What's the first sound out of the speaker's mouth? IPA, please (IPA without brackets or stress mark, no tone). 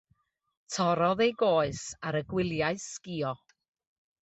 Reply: tʰ